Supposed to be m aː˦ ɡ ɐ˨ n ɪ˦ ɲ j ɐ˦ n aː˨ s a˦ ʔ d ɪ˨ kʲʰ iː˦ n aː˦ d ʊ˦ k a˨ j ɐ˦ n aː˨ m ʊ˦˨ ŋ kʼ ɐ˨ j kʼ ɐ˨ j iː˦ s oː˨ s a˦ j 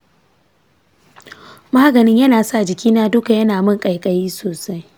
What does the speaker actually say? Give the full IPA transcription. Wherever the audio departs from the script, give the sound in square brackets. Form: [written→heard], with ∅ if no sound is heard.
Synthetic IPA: m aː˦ ɡ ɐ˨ n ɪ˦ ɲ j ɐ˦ n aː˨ s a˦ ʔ [d→d͡ʒ] ɪ˨ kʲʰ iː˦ n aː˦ d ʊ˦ k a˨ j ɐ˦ n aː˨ m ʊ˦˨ ŋ kʼ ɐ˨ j kʼ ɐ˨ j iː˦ s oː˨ s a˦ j